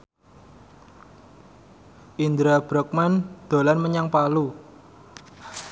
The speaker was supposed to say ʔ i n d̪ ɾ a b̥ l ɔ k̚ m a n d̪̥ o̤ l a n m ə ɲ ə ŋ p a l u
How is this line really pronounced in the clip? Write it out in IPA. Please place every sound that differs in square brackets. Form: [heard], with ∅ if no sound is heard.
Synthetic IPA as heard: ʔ i n d̪ ɾ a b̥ [ɾ] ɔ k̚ m a n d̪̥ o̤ l a n m ə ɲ [a] ŋ p a l u